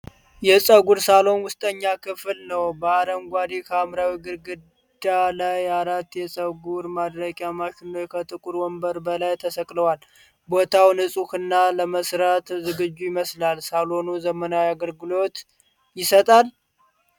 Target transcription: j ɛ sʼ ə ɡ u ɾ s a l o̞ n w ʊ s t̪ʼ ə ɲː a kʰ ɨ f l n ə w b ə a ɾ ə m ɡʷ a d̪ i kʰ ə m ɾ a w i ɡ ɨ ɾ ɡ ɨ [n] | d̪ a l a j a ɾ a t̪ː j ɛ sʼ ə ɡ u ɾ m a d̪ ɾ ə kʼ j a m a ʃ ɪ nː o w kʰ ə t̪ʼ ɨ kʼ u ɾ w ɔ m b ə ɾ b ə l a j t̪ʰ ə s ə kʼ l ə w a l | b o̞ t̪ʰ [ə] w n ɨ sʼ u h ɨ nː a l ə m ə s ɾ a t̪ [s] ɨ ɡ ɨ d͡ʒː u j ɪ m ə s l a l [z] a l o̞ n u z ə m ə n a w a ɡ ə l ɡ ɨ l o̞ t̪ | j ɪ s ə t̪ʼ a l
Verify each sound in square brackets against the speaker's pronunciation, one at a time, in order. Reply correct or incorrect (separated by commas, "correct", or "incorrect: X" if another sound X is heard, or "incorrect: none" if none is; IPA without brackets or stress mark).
incorrect: d, incorrect: a, incorrect: z, incorrect: s